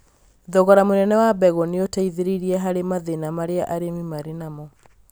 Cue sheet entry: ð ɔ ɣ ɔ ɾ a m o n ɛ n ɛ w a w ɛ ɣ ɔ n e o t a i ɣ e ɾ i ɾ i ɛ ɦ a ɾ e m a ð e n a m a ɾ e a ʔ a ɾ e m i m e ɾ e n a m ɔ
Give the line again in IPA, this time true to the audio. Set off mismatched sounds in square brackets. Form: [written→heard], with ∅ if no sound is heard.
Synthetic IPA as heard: ð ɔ ɣ ɔ ɾ a m o n ɛ n ɛ w a [w→b] ɛ ɣ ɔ n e o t a i [ɣ→ð] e ɾ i ɾ i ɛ ɦ a ɾ e m a ð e n a m a ɾ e a ʔ a ɾ e m i m [e→a] ɾ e n a m ɔ